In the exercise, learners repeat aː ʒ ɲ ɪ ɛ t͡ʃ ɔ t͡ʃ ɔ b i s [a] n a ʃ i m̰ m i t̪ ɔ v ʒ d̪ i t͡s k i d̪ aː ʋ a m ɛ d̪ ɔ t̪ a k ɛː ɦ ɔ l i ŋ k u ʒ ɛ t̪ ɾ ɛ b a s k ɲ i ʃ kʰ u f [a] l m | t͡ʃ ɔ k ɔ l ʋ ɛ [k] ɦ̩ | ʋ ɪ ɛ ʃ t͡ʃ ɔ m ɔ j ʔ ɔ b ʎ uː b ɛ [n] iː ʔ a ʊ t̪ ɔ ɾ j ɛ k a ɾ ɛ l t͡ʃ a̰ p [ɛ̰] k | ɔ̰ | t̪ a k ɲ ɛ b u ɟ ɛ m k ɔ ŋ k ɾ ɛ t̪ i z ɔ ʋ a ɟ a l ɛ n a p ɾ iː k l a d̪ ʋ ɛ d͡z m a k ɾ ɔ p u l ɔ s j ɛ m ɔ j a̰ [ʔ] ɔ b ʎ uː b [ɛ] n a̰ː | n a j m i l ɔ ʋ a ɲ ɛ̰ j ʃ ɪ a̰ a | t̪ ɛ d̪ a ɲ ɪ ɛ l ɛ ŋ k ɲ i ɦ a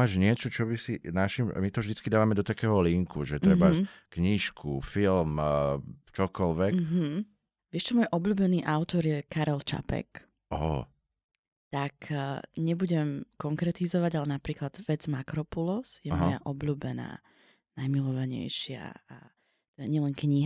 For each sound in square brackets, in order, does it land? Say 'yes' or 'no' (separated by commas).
no, no, yes, yes, yes, yes, yes